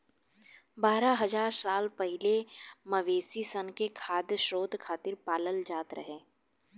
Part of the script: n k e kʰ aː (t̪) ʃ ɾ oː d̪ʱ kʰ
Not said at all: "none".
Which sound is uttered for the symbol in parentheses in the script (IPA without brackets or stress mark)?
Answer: d̪